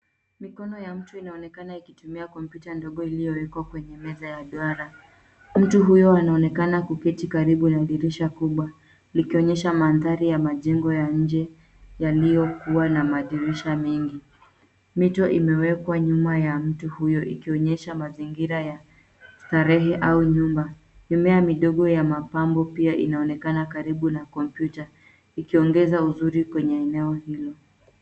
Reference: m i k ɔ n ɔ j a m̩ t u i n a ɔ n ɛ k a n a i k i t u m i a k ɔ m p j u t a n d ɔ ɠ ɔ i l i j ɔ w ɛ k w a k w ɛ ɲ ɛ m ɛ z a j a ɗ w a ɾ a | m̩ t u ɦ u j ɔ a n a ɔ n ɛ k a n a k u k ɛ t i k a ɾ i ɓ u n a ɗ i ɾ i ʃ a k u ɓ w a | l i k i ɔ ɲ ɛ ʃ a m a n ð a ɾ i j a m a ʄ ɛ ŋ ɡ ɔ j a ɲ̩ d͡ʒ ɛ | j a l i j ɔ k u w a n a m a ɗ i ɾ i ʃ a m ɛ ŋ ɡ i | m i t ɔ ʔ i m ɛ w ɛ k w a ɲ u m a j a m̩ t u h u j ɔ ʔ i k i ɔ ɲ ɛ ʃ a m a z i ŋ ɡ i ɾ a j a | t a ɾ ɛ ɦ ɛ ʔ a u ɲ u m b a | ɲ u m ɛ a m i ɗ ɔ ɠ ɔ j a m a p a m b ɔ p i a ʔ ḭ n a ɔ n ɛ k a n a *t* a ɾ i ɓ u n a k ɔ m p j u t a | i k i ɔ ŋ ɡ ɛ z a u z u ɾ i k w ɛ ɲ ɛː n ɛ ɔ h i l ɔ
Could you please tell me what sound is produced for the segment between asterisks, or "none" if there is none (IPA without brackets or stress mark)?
k